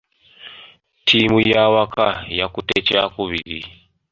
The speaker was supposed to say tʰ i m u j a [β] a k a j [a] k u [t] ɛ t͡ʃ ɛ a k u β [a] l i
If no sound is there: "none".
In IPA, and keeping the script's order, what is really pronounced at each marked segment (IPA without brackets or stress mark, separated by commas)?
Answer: w, a, t, i